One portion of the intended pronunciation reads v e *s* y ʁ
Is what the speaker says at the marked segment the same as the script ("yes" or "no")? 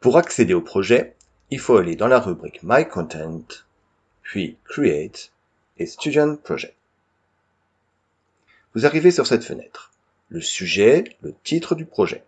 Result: yes